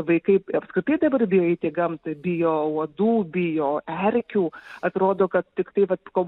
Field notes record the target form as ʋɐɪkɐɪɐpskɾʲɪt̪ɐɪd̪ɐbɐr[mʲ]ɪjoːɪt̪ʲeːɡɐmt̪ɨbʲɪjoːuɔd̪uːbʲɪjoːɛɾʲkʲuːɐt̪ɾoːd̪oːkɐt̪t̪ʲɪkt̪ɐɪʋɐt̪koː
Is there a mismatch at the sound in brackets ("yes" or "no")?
yes